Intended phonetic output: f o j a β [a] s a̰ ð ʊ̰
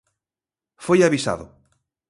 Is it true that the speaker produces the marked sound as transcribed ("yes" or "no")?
no